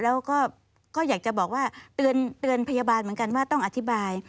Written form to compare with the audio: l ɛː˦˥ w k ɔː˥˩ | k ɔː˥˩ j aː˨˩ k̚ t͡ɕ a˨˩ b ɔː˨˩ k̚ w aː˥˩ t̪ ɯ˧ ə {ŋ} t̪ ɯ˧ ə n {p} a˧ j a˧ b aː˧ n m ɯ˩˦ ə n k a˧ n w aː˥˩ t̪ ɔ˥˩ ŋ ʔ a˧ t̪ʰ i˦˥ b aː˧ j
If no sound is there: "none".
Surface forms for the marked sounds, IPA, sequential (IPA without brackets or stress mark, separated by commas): n, pʰ